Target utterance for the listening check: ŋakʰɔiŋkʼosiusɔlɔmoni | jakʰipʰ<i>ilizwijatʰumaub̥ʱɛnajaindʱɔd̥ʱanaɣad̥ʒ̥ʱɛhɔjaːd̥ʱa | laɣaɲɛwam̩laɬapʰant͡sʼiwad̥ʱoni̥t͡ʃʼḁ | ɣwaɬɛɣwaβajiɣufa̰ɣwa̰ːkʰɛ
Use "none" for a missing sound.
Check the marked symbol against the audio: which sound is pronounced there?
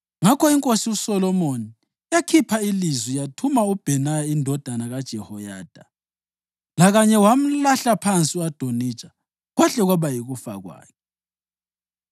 a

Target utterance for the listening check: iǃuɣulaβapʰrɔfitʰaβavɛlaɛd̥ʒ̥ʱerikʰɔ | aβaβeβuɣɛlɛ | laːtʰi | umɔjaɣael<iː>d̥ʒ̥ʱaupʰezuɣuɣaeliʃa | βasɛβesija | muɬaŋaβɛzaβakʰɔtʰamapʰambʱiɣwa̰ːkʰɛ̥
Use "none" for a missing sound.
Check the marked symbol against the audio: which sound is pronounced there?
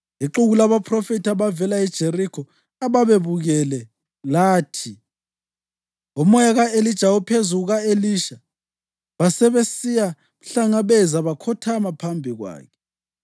i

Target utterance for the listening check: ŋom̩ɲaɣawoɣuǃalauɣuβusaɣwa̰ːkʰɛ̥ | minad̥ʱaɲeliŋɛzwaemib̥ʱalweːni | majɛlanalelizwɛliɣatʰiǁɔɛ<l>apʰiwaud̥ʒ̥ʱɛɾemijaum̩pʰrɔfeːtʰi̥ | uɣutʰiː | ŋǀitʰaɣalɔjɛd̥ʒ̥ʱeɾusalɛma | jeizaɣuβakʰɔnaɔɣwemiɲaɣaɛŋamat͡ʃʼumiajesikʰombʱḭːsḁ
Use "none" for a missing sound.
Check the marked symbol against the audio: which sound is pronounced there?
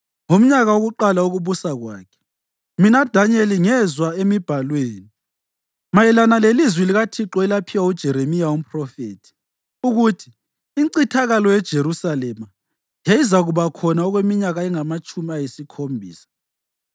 l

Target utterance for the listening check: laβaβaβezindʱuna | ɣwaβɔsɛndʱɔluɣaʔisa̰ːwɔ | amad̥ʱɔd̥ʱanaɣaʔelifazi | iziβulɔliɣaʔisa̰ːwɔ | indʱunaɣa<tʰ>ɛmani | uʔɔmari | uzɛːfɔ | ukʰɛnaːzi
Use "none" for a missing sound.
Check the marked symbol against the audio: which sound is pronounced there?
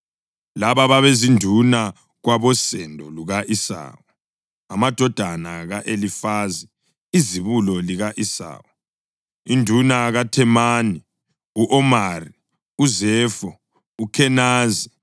tʰ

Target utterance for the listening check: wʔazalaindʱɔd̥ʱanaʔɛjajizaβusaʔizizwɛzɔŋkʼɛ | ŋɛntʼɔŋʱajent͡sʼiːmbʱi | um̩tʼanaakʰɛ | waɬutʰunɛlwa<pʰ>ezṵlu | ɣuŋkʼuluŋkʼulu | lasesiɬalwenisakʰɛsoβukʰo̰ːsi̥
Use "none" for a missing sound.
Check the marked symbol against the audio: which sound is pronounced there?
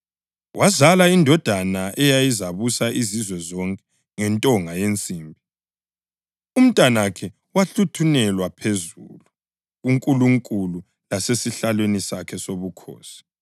pʰ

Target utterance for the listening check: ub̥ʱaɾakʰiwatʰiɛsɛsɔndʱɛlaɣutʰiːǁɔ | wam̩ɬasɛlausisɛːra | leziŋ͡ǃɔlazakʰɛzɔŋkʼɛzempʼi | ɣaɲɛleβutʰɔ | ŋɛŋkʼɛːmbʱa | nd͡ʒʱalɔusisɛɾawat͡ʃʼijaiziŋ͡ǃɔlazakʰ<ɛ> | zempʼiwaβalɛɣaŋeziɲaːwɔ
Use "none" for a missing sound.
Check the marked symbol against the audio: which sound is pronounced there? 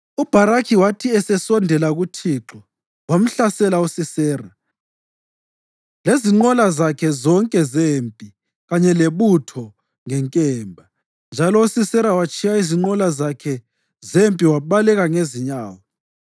ɛ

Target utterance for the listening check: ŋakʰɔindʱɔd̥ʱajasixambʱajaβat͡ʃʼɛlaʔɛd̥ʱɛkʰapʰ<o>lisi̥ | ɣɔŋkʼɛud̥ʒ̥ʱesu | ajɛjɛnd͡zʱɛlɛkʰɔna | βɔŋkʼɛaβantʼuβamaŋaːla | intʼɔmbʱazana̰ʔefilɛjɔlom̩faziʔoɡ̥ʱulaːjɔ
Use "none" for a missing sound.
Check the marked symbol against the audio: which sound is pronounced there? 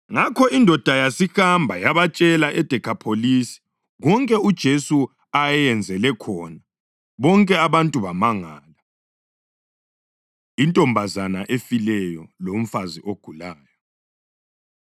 o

